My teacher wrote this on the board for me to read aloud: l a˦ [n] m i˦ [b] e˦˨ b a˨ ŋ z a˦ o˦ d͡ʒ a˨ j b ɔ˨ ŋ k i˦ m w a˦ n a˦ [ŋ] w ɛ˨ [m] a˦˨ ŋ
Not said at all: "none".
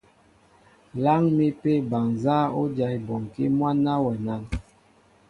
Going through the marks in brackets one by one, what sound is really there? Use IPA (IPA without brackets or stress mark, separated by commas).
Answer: ŋ, p, none, n